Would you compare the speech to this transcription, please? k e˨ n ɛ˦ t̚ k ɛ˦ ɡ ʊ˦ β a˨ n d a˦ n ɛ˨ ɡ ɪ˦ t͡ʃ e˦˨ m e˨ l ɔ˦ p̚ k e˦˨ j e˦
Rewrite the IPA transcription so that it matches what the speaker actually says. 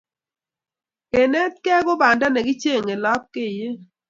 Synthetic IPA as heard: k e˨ n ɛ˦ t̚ k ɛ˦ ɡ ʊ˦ b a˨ n d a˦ n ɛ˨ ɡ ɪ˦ t͡ʃ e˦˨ ŋ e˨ l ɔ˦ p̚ k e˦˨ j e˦